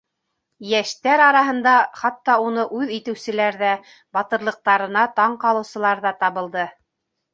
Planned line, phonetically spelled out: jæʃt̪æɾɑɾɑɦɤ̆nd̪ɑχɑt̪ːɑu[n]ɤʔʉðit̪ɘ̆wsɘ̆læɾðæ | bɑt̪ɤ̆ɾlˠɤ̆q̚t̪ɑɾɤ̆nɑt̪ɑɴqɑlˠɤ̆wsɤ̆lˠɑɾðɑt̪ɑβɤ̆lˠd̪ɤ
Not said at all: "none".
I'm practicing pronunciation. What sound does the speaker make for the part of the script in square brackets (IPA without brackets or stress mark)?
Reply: n